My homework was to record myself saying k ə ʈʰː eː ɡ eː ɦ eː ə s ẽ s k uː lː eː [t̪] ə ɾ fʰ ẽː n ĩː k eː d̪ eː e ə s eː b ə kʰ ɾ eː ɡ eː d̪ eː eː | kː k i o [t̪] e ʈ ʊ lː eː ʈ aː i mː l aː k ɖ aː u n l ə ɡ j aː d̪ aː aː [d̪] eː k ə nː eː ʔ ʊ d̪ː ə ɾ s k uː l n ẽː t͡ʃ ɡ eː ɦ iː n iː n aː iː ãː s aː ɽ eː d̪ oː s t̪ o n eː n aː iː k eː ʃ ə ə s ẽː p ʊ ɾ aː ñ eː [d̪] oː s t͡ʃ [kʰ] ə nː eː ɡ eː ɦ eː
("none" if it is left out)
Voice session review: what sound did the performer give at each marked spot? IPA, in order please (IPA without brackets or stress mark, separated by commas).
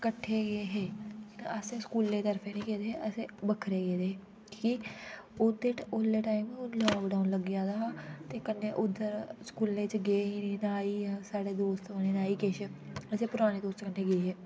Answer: t̪, d̪, t̪, d̪, k